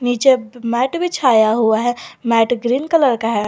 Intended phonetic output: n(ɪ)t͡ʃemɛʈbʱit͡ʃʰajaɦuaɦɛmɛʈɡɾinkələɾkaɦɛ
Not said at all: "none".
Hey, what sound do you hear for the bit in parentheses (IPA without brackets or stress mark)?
i